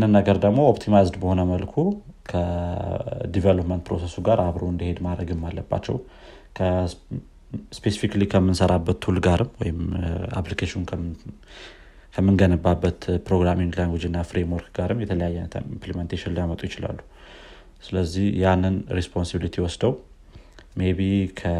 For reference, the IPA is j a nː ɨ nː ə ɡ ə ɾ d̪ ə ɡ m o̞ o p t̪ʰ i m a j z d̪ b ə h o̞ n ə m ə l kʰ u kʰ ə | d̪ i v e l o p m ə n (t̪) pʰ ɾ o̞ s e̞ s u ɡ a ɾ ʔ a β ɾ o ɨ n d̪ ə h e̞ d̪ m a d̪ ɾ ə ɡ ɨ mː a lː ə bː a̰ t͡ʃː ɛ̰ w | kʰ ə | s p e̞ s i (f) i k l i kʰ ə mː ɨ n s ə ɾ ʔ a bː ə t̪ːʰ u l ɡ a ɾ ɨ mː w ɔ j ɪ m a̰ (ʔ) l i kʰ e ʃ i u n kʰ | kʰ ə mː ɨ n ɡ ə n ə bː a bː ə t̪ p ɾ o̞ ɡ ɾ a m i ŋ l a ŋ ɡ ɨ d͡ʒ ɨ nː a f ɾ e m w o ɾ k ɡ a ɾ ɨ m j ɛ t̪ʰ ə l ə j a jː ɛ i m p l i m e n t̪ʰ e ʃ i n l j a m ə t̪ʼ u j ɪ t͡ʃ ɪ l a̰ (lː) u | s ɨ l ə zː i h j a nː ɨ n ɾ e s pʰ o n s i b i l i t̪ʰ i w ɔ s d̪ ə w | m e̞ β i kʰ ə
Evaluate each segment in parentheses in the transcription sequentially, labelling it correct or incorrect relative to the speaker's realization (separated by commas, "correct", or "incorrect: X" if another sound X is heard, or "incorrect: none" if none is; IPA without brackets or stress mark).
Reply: correct, correct, incorrect: p, correct